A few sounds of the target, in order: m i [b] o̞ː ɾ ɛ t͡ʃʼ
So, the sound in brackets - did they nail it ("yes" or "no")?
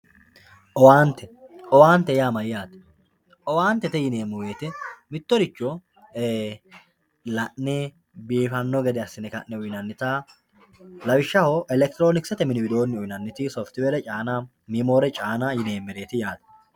no